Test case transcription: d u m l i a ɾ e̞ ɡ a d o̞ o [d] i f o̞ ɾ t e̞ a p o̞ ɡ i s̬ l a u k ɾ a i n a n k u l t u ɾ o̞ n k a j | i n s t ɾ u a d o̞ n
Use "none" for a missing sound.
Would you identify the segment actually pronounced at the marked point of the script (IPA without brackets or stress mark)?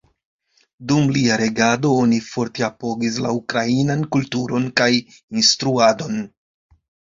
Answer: n